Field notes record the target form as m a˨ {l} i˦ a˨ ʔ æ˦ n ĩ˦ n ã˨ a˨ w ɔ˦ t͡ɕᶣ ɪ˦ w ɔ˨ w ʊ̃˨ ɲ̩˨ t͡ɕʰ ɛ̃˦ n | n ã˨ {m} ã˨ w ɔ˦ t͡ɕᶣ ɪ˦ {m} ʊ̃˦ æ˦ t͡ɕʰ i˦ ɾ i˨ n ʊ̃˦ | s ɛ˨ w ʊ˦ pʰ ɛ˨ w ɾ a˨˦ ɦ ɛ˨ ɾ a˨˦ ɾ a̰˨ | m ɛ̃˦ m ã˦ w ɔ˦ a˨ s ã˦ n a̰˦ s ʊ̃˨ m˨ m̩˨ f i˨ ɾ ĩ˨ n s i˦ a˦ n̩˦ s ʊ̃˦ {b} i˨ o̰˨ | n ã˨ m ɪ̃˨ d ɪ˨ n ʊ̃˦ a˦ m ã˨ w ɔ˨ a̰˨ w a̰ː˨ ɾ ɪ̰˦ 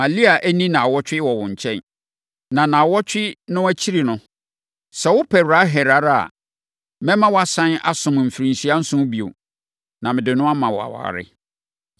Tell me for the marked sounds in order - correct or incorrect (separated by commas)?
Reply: correct, incorrect, incorrect, correct